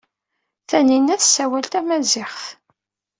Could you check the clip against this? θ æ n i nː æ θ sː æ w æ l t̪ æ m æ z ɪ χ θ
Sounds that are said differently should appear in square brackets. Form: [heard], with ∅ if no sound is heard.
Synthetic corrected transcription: θ æ n i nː æ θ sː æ w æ l t̪ æ m æ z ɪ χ θ